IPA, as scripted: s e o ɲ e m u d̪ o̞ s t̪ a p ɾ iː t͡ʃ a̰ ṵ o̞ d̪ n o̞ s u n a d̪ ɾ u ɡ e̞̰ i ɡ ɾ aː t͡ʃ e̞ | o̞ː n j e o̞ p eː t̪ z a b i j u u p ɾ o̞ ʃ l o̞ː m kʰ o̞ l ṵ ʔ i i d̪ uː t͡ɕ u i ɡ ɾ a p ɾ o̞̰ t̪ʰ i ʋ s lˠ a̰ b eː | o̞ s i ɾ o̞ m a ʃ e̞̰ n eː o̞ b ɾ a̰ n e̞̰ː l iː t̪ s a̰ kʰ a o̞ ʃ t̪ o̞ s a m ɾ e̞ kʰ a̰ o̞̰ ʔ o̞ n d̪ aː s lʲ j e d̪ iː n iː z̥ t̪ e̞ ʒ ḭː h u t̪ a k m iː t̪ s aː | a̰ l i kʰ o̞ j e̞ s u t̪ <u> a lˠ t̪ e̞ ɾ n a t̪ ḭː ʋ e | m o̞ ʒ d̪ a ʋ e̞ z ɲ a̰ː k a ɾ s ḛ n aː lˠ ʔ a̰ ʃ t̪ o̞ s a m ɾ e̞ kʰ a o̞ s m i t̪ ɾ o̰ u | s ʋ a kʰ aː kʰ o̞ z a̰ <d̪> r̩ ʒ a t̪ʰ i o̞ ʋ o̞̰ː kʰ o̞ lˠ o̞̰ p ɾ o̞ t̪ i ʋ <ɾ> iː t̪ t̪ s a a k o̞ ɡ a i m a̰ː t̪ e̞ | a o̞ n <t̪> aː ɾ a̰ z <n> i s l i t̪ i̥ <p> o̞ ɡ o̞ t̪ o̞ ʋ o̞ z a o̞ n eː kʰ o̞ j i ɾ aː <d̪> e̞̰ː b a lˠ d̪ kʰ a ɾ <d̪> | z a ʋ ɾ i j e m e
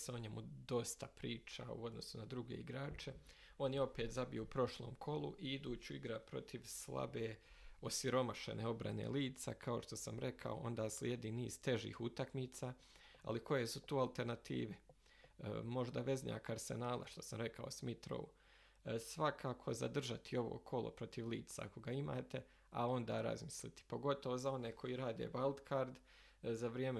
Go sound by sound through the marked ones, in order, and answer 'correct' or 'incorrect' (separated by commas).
incorrect, correct, incorrect, incorrect, incorrect, correct, correct, correct